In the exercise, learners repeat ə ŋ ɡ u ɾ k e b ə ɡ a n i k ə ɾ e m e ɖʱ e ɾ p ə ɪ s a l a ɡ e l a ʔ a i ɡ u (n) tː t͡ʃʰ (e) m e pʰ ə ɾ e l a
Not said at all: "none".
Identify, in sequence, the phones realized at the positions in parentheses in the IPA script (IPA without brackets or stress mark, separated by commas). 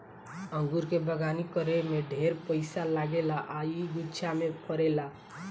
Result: none, a